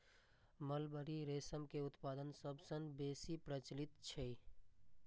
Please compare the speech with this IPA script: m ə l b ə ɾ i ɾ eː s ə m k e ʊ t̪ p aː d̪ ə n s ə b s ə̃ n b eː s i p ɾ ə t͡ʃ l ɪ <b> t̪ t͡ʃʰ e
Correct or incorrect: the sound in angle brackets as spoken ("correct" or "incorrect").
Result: incorrect